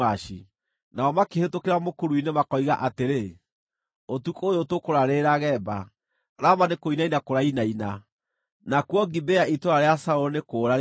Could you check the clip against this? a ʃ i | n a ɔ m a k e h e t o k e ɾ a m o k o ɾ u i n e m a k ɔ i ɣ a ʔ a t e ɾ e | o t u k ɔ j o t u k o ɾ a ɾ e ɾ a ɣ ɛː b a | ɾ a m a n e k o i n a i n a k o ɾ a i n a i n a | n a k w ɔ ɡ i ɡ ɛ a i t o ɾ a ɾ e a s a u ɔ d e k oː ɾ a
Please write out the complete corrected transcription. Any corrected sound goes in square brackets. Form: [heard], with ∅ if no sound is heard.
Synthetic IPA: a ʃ i | n a ɔ m a k e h e t o k e ɾ a m o k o ɾ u i n e m a k ɔ i ɣ a ʔ a t e ɾ e | o t u k [o] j o t [o] k o ɾ a ɾ e ɾ a ɣ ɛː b a | ɾ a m a n e k o i n a i n a k o ɾ a i n a i n a | n a k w ɔ ɡ i [b] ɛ a i t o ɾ a ɾ e a s a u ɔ [n] e k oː ɾ a